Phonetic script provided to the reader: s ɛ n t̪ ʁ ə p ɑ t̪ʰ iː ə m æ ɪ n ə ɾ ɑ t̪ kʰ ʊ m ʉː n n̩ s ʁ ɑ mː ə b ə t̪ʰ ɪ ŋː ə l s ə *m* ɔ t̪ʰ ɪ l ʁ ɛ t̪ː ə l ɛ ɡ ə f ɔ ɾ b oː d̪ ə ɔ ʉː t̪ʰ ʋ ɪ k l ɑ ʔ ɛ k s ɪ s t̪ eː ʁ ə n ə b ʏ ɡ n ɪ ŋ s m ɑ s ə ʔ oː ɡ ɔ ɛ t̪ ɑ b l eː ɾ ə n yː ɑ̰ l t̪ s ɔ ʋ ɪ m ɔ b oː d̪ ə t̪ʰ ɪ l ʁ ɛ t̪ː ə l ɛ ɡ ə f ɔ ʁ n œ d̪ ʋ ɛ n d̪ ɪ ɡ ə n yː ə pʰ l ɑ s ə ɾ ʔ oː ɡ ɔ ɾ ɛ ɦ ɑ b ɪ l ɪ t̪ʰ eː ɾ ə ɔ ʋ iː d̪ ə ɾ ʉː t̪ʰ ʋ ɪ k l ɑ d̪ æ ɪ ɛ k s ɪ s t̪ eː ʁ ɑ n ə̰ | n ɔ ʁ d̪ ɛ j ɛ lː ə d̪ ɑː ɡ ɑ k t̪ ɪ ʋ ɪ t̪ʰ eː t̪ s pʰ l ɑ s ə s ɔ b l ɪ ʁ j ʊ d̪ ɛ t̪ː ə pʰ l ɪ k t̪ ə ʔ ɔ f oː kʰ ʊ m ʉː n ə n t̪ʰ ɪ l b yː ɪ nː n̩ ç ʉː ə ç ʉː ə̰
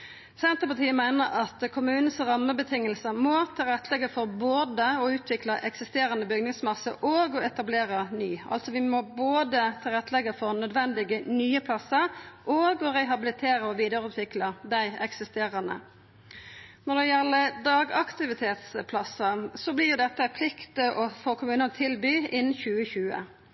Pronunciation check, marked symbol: correct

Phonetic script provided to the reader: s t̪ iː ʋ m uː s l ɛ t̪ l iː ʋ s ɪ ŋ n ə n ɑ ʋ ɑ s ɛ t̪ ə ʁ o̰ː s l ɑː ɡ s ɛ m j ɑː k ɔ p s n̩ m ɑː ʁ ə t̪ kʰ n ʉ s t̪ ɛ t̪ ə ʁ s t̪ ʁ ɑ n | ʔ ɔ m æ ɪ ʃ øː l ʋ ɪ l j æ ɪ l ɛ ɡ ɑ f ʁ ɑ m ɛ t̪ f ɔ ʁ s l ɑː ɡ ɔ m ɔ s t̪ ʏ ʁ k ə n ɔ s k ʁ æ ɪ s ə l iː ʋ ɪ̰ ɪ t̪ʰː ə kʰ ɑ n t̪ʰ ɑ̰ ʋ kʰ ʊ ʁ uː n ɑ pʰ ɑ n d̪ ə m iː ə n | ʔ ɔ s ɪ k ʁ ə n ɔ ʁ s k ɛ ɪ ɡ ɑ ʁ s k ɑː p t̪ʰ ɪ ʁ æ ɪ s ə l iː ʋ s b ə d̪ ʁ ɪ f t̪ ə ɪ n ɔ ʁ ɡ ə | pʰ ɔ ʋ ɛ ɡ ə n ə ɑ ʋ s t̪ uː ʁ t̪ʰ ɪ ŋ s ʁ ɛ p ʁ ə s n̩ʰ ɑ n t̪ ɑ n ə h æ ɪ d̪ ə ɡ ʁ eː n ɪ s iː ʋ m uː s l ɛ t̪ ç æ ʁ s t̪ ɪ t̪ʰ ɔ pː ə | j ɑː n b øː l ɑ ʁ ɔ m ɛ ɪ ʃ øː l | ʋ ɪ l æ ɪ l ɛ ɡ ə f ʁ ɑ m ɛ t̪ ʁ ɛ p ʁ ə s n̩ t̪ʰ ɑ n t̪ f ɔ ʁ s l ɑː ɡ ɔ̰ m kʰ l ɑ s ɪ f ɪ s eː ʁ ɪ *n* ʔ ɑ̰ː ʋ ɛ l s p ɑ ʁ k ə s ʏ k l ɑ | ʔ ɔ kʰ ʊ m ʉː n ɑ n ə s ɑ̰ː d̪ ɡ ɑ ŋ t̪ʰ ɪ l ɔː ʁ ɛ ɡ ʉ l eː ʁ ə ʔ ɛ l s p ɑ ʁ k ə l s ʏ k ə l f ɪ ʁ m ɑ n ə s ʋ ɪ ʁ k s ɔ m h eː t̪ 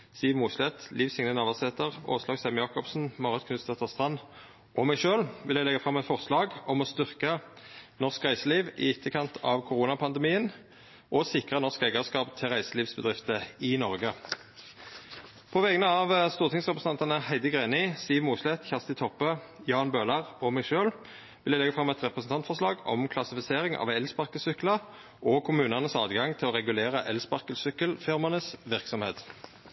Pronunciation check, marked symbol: incorrect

